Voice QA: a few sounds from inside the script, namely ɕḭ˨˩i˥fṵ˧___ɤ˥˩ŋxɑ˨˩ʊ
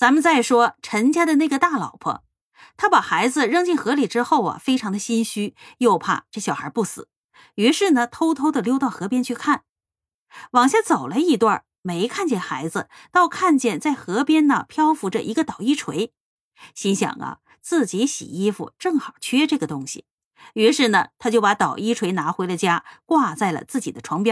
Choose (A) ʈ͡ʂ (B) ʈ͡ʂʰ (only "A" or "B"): A